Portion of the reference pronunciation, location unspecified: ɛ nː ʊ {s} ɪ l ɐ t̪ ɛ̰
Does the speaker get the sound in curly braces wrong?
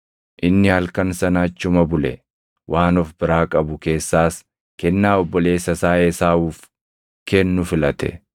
yes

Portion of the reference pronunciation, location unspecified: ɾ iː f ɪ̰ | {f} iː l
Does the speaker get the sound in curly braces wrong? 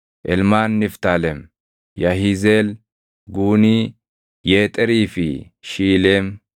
yes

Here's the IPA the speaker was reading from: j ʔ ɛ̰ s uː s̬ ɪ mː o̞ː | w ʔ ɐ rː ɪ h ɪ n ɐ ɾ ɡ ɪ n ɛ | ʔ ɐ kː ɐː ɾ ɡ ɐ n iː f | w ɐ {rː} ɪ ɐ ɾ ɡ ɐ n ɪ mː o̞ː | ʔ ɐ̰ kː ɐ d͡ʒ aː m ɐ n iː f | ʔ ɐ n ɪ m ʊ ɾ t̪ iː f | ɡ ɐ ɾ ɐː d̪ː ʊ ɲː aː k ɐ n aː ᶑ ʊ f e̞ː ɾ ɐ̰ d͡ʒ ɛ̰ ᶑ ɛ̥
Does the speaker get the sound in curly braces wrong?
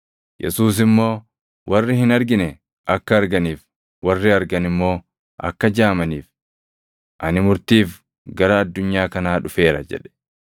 no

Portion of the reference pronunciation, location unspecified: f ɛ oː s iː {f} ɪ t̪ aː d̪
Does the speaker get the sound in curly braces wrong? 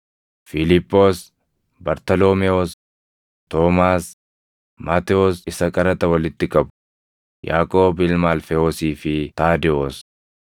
no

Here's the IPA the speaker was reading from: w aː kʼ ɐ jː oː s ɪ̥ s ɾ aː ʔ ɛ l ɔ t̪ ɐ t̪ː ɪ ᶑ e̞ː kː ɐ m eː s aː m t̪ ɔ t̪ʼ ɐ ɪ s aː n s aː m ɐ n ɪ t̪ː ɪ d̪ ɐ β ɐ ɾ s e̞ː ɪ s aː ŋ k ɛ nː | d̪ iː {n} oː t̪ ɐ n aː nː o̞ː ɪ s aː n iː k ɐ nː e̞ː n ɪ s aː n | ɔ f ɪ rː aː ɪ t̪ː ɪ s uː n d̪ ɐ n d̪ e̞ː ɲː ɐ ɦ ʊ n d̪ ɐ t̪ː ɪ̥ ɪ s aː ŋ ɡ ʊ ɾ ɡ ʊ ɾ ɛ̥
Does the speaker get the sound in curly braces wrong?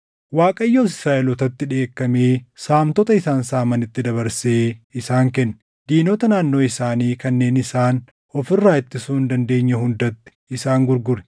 no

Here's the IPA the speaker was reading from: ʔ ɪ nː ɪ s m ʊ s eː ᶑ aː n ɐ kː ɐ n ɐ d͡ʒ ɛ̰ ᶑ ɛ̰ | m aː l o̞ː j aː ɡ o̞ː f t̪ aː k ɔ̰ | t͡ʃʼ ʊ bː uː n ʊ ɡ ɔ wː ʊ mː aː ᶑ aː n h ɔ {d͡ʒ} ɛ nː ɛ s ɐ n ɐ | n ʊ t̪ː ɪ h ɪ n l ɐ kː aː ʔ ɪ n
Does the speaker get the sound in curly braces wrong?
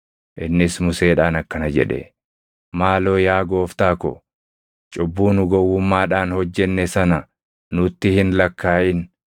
yes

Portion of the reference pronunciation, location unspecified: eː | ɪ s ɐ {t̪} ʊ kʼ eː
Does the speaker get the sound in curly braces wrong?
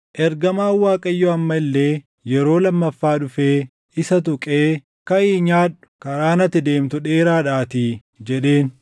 no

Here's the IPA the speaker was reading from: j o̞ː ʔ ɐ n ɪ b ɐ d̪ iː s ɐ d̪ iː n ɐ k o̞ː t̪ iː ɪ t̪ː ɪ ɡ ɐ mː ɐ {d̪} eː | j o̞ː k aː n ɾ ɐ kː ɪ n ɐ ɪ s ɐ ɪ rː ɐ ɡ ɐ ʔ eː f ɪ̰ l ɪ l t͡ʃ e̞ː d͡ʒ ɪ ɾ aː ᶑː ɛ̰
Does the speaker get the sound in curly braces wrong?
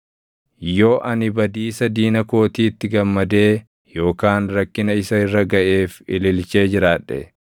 no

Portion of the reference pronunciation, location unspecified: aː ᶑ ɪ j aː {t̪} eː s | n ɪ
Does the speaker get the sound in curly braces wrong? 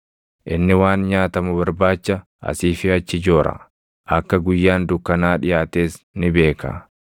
no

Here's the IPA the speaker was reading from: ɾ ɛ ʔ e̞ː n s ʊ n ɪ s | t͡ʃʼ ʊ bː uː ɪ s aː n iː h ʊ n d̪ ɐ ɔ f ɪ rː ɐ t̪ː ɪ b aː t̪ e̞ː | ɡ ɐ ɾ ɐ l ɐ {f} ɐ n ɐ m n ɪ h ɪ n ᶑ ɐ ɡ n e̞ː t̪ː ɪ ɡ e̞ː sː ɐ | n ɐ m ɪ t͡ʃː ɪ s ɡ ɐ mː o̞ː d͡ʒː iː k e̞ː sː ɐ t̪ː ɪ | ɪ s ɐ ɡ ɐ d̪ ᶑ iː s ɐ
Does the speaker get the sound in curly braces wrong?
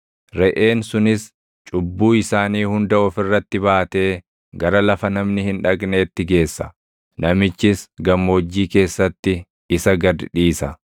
no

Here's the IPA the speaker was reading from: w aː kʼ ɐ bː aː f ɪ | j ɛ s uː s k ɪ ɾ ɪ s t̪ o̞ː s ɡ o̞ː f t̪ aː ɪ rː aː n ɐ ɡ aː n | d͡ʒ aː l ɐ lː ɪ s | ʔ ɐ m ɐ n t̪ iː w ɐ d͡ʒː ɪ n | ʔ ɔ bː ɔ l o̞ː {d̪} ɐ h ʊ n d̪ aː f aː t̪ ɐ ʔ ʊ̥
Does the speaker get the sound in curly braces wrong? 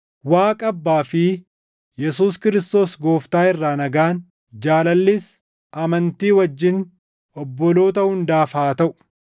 yes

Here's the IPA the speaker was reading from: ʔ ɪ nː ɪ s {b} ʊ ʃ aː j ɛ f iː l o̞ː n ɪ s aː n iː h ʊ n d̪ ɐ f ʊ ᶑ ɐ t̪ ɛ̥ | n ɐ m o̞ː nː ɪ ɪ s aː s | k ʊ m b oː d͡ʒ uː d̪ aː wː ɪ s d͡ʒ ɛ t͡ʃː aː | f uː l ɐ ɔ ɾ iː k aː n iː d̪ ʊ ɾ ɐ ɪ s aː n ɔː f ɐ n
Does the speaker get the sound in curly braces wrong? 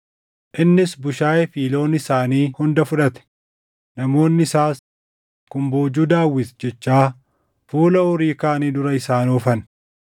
no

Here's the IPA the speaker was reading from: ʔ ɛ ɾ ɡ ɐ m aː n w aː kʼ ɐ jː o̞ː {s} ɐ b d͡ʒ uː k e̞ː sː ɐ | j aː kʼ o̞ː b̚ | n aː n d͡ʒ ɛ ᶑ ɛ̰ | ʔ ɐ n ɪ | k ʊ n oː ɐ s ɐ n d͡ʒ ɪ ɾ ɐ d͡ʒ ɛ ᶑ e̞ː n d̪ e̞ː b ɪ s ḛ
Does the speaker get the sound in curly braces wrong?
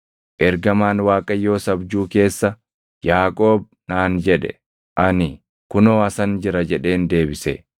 no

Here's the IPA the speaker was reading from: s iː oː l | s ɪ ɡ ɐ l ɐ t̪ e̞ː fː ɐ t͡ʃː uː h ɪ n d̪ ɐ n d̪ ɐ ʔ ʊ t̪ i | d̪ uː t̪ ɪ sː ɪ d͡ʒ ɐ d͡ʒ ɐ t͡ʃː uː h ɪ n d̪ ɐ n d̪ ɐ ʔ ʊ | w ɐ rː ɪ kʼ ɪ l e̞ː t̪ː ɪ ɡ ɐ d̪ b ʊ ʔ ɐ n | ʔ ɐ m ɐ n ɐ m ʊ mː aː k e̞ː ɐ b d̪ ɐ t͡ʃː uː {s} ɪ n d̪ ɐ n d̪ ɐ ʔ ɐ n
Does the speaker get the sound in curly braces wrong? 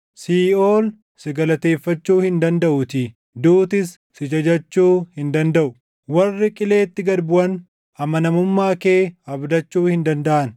yes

